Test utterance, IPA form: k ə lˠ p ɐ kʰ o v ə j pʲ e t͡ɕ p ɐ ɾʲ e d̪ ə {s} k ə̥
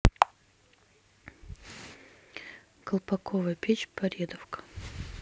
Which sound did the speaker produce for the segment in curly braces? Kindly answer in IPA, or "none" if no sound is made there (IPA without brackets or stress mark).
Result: f